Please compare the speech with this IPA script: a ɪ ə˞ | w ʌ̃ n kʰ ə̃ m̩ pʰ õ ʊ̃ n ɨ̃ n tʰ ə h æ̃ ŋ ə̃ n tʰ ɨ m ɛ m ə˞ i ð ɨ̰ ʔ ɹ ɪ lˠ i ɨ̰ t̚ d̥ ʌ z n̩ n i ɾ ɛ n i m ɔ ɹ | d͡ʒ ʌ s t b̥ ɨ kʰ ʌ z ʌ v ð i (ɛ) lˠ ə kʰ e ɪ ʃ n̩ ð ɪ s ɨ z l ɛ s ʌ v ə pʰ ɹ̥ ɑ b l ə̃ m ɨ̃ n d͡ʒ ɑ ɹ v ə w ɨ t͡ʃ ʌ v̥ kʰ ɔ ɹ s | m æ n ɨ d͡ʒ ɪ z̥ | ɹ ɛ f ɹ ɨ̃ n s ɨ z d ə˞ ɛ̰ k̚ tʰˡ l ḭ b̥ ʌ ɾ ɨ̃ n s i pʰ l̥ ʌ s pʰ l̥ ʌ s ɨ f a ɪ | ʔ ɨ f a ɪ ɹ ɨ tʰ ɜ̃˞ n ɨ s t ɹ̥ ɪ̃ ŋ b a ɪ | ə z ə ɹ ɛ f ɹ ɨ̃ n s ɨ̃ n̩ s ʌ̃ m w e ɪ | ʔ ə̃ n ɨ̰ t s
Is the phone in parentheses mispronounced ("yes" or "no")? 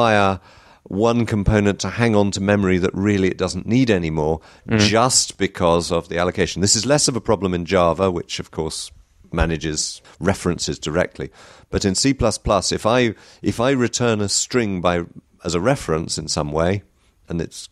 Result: yes